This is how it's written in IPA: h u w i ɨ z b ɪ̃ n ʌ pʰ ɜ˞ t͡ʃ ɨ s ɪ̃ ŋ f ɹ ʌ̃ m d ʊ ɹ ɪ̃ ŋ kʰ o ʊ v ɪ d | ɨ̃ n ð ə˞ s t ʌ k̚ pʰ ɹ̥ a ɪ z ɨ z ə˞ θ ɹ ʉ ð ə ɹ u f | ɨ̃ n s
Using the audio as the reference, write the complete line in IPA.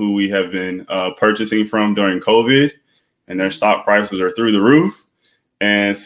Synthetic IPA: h u w i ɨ v b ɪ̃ n ʌ pʰ ɜ˞ t͡ʃ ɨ s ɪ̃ ŋ f ɹ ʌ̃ m d ʊ ɹ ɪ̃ ŋ kʰ o ʊ v ɪ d | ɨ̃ n ð ə˞ s t ɑ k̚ pʰ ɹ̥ a ɪ s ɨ z ə˞ θ ɹ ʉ ð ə ɹ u f | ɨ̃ n s